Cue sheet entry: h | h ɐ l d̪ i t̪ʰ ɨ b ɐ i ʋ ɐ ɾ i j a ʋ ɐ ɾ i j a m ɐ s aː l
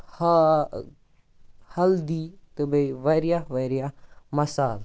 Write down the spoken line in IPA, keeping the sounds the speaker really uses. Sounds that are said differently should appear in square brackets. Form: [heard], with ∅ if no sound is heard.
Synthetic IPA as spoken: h | h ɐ l d̪ i [t̪] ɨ b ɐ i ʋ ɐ ɾ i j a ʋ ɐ ɾ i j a m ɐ s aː l